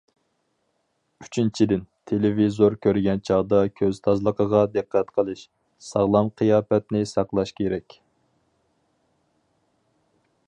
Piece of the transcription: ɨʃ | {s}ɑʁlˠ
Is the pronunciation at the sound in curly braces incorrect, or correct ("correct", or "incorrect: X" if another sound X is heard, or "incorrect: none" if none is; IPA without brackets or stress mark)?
correct